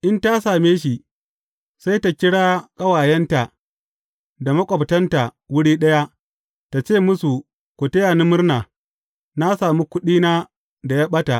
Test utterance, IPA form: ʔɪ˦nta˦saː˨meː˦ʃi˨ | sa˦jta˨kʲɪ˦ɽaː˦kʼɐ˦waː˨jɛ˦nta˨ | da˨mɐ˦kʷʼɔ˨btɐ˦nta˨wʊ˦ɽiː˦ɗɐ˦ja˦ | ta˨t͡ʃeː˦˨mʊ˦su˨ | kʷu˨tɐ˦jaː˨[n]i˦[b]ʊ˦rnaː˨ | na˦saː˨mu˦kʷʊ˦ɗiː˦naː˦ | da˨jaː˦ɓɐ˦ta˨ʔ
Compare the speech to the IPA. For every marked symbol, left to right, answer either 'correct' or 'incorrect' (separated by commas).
correct, incorrect